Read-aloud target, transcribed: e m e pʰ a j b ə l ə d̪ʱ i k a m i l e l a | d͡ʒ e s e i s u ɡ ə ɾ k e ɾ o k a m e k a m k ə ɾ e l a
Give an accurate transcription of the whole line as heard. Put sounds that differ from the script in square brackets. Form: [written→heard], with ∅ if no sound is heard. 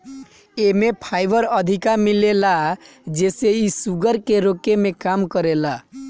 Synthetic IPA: e m e pʰ a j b ə [l→ɾ] ə d̪ʱ i k a m i l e l a | d͡ʒ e s e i s u ɡ ə ɾ k e ɾ o k [a→e] m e k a m k ə ɾ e l a